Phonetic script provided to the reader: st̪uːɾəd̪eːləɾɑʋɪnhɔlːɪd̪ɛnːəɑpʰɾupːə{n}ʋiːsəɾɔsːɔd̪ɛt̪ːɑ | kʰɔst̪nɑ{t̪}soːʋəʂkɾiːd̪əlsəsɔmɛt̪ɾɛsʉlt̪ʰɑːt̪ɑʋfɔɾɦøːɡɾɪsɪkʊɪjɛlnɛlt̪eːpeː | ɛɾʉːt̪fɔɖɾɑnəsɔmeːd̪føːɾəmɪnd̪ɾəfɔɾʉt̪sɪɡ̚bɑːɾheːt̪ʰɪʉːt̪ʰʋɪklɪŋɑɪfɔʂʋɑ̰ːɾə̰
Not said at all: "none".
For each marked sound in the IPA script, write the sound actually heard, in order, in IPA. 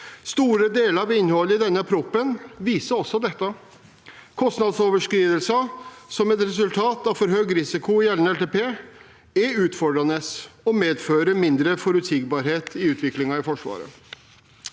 n, d̪

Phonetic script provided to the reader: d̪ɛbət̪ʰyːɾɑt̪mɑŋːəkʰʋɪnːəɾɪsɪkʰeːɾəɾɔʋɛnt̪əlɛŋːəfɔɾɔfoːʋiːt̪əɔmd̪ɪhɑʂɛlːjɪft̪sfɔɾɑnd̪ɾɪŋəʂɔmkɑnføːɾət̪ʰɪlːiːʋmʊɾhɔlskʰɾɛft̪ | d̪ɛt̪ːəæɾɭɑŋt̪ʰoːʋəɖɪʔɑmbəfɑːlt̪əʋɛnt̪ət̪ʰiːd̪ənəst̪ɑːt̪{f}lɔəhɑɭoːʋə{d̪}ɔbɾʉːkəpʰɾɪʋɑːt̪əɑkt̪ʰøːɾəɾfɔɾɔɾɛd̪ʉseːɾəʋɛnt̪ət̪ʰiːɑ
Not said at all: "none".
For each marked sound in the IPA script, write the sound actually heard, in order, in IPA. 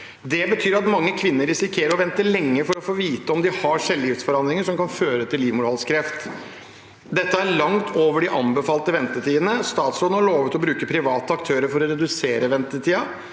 s, t̪

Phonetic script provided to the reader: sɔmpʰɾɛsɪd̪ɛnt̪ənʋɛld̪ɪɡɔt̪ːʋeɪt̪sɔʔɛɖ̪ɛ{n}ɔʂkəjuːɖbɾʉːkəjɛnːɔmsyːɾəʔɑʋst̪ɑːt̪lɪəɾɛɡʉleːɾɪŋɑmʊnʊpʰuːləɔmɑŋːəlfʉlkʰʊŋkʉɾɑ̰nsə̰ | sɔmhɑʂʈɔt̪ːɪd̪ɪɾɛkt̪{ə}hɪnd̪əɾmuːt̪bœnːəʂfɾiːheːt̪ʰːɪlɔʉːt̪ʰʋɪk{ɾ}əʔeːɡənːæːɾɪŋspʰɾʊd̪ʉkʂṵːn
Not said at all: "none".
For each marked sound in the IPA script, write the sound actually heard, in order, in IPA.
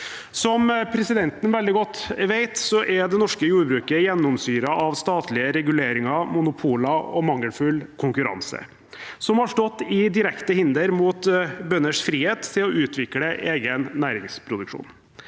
n, ə, l

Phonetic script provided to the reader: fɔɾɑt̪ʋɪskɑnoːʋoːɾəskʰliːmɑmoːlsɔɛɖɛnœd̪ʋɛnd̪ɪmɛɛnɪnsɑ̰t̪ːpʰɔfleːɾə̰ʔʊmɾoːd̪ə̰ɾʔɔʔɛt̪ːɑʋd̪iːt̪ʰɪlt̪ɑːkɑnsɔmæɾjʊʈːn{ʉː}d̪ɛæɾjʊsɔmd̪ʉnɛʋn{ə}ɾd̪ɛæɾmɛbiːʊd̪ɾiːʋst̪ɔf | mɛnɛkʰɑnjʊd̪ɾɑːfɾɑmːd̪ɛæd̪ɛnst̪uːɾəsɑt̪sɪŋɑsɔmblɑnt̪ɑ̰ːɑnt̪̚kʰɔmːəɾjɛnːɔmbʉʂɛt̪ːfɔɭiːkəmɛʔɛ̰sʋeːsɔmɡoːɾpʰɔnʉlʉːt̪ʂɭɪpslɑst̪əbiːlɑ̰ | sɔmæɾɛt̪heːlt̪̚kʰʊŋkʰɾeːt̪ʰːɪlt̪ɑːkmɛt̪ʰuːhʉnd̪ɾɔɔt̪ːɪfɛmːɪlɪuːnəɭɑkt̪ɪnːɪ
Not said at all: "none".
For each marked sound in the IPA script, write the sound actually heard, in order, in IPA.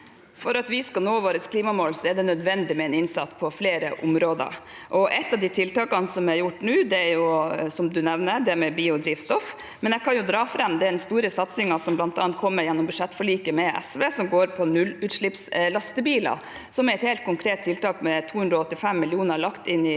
ʉː, ə

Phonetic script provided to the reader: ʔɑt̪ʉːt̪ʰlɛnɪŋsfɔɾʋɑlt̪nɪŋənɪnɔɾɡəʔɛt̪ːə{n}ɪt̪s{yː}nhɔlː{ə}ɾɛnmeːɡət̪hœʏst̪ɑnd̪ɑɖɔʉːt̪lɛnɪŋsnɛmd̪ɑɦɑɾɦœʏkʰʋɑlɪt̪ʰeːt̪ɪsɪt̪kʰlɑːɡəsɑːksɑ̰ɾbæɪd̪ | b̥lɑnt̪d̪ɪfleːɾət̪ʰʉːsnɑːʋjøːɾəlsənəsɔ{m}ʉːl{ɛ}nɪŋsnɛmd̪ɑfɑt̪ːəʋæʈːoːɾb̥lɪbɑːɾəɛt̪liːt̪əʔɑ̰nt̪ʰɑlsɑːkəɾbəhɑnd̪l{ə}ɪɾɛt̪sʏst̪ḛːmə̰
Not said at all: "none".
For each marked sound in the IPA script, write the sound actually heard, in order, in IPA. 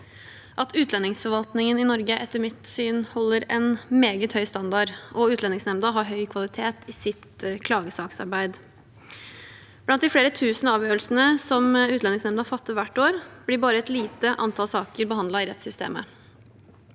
m, yː, ə, m, ɛ, ɑ

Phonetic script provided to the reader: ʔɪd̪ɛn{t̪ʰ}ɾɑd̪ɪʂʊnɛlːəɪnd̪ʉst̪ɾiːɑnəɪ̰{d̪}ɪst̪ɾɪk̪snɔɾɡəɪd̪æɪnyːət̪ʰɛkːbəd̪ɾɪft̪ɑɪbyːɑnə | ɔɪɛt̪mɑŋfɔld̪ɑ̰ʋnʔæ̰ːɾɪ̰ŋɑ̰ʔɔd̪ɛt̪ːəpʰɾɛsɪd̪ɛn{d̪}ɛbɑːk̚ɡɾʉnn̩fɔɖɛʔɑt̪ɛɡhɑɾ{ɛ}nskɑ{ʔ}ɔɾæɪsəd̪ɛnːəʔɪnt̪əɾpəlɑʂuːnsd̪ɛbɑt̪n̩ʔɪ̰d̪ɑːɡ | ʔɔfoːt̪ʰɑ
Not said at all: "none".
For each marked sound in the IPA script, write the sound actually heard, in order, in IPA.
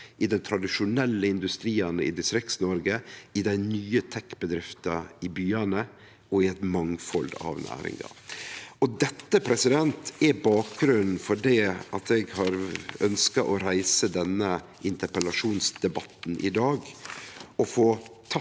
t̪ʰ, d̪, t̪, œ, ʔ

